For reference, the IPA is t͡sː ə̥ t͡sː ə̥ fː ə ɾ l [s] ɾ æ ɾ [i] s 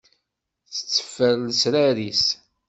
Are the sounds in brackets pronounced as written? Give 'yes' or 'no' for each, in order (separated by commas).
yes, yes